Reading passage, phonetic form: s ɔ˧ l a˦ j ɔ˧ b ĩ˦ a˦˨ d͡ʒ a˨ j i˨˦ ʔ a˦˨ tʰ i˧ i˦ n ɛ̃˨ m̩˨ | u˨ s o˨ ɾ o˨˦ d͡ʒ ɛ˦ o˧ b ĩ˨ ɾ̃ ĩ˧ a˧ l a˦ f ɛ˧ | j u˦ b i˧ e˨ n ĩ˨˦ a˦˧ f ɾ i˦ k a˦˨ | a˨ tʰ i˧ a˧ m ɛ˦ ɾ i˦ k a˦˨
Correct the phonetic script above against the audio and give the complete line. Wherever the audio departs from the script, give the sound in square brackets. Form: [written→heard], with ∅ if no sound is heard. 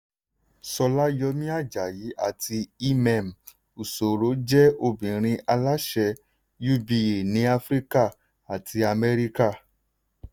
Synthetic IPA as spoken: s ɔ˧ l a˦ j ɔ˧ [b→m] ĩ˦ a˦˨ d͡ʒ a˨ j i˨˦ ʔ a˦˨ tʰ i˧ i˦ [n→m] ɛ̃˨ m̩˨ | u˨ s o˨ ɾ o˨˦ d͡ʒ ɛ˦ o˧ b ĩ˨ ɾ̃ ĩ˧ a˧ l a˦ [f→ʃ] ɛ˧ | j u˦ b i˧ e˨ n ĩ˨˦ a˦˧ f ɾ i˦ k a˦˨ | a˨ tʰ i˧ a˧ m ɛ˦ ɾ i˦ k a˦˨